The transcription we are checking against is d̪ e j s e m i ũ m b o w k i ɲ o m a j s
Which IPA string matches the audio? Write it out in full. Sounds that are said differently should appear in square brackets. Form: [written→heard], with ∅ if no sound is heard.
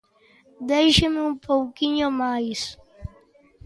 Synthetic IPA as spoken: d̪ e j [s→ʃ] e m [i→ɪ] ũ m [b→p] o w k i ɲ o m a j s

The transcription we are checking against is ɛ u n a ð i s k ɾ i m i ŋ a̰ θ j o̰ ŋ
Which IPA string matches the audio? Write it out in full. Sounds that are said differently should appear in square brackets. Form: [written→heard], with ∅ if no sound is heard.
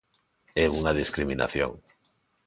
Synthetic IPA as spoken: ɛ u [n→ŋ] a ð i s k ɾ i m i [ŋ→n] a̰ θ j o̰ ŋ

